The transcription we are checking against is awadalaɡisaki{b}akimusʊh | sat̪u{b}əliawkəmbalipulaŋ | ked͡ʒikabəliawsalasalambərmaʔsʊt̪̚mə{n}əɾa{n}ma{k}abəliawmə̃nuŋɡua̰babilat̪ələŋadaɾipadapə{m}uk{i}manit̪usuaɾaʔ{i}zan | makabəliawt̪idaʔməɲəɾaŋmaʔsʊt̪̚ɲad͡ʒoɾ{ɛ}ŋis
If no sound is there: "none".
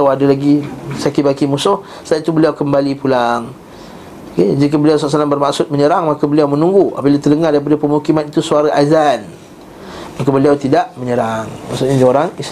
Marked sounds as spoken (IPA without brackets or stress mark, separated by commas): b, b, ɲ, ŋ, k, m, i, a, a